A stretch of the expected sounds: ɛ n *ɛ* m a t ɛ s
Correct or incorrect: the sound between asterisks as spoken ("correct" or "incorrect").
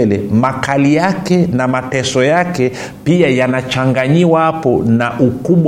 incorrect